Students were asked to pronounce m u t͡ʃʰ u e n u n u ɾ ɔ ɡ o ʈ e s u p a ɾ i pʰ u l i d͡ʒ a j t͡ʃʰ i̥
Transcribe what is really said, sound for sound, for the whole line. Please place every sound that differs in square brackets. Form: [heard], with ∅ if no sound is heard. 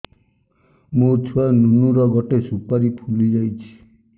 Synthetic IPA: m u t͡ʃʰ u [a] n u n u ɾ ɔ ɡ [ɔ] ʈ e s u p a ɾ i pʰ u l i d͡ʒ a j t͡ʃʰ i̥